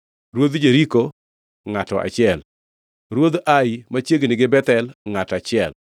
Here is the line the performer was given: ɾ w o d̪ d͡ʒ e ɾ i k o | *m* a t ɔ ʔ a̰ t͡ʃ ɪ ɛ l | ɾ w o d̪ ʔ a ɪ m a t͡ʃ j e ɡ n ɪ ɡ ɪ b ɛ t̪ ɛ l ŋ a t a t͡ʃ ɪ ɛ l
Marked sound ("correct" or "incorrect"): incorrect